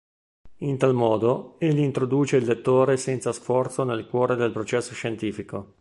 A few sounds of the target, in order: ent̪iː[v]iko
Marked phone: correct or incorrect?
incorrect